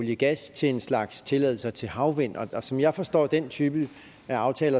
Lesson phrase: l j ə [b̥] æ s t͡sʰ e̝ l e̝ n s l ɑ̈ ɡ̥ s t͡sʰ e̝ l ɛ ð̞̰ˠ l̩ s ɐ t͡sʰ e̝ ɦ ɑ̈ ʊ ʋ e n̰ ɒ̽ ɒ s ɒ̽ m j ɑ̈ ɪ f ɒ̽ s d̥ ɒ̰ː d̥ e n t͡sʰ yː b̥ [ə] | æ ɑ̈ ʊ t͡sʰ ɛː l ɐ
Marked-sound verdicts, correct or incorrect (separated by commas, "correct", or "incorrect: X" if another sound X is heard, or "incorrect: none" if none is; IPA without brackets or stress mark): incorrect: ɡ̥, correct